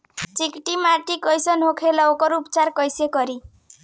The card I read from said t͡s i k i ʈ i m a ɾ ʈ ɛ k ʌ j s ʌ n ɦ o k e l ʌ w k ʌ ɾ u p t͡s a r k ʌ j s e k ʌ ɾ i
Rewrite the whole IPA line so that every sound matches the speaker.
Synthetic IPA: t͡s i k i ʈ i m a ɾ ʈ i k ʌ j s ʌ n ɦ o kʰ e l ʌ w k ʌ ɾ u p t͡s a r k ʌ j s e k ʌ ɾ i